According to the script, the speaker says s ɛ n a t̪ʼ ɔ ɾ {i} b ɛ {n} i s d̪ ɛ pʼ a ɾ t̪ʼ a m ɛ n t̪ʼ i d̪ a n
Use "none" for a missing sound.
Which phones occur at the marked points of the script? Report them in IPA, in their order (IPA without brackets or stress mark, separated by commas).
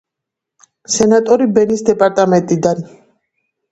i, n